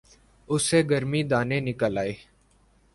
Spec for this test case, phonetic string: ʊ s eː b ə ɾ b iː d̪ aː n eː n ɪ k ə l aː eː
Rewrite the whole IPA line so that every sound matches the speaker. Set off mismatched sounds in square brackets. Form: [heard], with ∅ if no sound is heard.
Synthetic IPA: ʊ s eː [ɡ] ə ɾ [m] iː d̪ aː n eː n ɪ k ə l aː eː